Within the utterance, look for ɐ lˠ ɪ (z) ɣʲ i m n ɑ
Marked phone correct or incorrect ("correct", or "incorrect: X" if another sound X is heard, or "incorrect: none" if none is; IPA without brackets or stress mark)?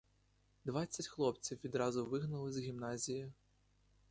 correct